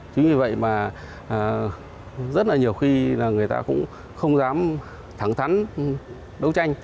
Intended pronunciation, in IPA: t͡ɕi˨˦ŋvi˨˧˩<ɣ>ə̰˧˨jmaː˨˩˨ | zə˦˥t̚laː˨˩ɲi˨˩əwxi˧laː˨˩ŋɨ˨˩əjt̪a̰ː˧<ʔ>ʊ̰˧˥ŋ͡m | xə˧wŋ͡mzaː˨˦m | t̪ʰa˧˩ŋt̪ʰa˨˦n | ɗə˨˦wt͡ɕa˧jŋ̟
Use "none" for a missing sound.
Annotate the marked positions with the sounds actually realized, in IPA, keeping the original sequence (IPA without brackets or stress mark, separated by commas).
v, k